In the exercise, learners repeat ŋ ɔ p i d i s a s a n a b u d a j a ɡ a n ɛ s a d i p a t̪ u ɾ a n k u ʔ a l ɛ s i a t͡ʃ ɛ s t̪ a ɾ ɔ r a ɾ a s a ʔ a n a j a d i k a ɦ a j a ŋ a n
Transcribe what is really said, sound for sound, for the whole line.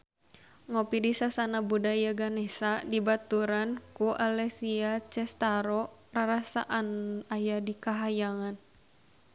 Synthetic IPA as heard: ŋ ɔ p i d i s a s a n a b u d a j a ɡ a n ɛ s a d i b a t̪ u ɾ a n k u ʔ a l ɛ s i a t͡ʃ ɛ s t̪ a ɾ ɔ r a ɾ a s a ʔ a n a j a d i k a ɦ a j a ŋ a n

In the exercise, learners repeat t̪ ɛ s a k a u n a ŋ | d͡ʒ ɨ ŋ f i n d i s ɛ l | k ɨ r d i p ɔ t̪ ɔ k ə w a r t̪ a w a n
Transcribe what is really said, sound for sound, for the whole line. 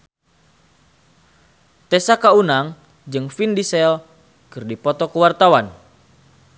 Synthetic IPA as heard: t̪ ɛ s a k a u n a ŋ | d͡ʒ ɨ ŋ f i n d i s ɛ l | k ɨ r d i p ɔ t̪ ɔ k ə w a r t̪ a w a n

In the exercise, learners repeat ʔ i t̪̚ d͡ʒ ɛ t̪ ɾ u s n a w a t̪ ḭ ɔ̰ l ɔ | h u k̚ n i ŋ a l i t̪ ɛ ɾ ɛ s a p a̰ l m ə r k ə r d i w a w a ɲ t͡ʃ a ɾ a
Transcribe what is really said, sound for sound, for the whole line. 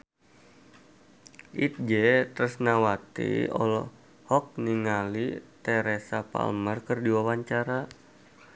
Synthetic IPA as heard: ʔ i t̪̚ d͡ʒ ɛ t̪ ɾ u s n a w a t̪ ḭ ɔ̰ l ɔ | h ɔ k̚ n i ŋ a l i t̪ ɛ ɾ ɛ s a p a̰ l m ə r k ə r d i w a w a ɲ t͡ʃ a ɾ a

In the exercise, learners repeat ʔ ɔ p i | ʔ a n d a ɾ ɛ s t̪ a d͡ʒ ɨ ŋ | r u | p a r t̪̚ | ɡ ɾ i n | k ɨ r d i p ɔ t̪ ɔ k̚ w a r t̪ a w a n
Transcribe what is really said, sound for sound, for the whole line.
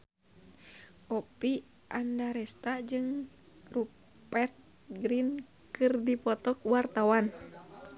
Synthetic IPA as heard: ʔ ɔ p i | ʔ a n d a ɾ ɛ s t̪ a d͡ʒ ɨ ŋ | r u | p ɛ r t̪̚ | ɡ ɾ i n | k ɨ r d i p ɔ t̪ ɔ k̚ w a r t̪ a w a n

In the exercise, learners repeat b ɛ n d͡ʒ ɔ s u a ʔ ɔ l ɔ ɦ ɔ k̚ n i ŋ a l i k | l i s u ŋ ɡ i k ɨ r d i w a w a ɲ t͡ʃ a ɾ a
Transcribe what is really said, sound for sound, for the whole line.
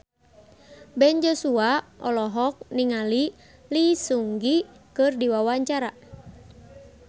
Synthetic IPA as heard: b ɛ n d͡ʒ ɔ s u a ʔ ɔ l ɔ ɦ ɔ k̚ n i ŋ a l i | l i s u ŋ ɡ i k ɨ r d i w a w a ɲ t͡ʃ a ɾ a

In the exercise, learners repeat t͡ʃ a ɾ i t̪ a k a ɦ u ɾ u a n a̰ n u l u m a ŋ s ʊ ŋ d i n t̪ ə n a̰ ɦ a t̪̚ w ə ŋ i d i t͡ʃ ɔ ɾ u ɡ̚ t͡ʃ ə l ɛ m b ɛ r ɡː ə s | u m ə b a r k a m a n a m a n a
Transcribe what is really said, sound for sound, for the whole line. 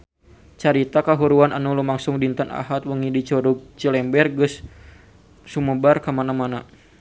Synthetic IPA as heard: t͡ʃ a ɾ i t̪ a k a ɦ u ɾ u a n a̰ n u l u m a ŋ s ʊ ŋ d i n t̪ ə n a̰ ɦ a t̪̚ w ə ŋ i d i t͡ʃ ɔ ɾ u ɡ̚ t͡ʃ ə l ɛ m b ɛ r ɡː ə s | u m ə b a r k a m a n a m a n a

